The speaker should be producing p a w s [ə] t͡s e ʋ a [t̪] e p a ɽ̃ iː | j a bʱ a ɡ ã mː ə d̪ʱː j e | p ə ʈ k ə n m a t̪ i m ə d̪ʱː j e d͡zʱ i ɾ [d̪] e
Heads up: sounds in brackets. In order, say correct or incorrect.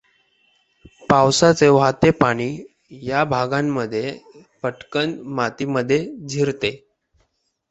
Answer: incorrect, correct, incorrect

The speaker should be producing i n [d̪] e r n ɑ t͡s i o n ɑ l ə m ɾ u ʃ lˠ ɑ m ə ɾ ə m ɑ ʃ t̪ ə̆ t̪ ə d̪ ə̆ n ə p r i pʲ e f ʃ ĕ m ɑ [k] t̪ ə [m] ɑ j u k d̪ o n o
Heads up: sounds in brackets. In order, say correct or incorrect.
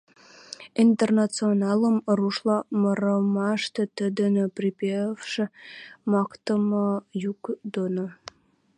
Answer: incorrect, correct, correct

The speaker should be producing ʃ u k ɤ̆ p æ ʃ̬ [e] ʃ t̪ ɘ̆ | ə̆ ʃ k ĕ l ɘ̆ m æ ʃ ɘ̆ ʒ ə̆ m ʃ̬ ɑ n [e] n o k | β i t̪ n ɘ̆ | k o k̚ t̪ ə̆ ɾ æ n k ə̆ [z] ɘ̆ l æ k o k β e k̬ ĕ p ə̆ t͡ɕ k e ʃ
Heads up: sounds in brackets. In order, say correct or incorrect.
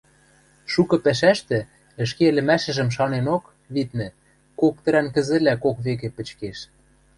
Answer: incorrect, correct, correct

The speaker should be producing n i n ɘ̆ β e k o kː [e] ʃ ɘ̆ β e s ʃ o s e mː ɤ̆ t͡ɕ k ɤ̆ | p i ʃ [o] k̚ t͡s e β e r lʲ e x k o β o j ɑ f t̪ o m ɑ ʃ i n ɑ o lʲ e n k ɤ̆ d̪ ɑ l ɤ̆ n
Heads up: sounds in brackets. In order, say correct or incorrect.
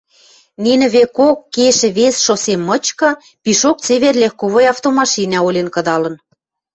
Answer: correct, correct

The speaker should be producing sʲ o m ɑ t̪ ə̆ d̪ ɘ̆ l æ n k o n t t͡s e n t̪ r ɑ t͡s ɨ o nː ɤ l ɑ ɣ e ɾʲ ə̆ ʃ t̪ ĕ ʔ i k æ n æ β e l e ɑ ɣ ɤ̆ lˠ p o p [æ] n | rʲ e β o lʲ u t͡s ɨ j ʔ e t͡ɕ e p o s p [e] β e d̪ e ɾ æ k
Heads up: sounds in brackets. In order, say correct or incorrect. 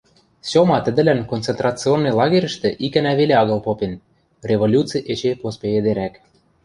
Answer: incorrect, correct

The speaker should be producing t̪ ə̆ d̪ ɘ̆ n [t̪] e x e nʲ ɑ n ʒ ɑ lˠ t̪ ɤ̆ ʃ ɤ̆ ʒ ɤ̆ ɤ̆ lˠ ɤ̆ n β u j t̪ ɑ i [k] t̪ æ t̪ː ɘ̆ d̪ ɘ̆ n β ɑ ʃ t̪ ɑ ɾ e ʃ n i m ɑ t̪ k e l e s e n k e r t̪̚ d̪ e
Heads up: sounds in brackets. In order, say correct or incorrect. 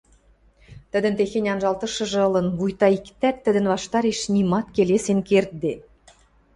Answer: correct, correct

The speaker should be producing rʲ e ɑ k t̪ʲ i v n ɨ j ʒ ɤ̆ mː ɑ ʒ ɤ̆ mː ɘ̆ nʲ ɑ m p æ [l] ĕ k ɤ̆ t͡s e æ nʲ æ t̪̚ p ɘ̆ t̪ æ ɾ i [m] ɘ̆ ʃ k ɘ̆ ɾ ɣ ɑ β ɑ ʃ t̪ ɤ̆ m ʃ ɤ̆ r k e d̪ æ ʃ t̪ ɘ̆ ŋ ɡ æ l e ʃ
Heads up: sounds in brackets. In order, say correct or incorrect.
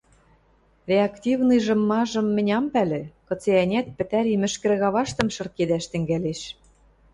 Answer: correct, correct

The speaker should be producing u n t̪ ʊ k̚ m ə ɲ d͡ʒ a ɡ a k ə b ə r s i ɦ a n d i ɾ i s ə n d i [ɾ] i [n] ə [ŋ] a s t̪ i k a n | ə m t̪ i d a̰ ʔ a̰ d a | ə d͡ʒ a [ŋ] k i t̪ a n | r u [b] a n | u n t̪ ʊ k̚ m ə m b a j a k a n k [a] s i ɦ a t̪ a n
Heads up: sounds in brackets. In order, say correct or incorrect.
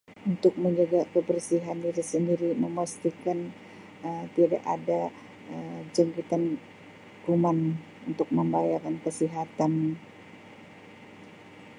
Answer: correct, incorrect, incorrect, correct, incorrect, incorrect

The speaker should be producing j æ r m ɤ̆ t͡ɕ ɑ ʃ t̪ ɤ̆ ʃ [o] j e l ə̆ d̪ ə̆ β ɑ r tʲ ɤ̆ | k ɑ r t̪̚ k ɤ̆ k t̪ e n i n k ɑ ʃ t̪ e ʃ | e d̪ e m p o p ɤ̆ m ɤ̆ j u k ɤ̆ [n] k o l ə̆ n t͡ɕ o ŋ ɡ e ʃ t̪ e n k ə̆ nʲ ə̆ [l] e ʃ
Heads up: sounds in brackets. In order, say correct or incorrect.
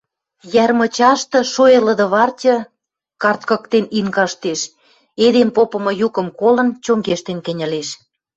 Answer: correct, incorrect, correct

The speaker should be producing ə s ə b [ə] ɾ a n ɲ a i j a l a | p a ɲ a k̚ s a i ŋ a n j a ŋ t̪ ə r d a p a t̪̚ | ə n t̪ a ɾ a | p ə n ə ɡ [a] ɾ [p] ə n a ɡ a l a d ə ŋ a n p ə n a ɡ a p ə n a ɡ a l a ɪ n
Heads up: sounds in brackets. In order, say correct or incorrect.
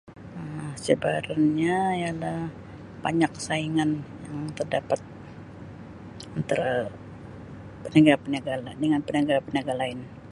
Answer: incorrect, correct, correct

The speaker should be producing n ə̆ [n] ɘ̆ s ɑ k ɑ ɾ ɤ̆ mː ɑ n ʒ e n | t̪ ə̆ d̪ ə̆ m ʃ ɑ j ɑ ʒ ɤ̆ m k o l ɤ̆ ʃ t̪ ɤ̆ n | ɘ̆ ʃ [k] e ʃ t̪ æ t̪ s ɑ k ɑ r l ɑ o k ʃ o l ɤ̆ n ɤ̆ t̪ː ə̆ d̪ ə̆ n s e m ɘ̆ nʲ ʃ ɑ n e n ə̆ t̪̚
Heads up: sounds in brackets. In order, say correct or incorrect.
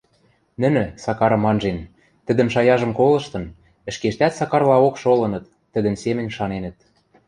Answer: correct, correct

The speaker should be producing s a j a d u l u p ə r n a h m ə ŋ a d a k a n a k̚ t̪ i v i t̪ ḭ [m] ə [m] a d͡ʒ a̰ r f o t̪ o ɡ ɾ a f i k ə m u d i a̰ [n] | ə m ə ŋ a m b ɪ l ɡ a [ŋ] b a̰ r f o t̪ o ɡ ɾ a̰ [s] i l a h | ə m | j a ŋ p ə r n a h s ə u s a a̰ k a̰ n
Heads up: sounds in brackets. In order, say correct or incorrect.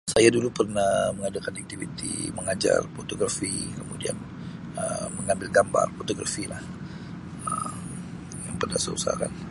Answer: correct, incorrect, correct, incorrect, incorrect

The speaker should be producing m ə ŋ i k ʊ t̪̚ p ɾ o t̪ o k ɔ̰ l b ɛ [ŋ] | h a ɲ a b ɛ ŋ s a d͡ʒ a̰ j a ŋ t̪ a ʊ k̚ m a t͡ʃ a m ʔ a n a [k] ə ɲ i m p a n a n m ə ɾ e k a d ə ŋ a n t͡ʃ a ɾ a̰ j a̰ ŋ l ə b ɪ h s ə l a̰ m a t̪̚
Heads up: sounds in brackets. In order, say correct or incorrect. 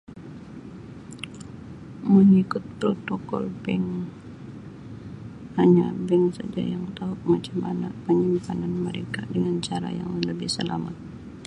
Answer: correct, incorrect

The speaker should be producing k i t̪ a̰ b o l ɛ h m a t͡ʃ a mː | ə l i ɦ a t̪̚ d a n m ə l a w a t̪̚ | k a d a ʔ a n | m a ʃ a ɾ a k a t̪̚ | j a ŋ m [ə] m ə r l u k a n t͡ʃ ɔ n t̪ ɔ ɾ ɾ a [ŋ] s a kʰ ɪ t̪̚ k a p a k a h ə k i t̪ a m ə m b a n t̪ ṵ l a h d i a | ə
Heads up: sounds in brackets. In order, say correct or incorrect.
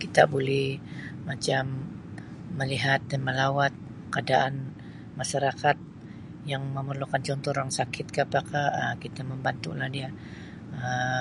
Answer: correct, correct

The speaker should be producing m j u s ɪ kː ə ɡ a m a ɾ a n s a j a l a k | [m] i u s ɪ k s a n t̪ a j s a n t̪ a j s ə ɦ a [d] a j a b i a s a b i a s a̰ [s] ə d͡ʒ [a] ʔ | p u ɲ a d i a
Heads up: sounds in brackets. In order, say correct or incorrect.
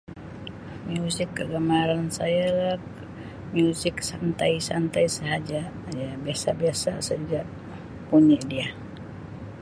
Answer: correct, incorrect, correct, correct

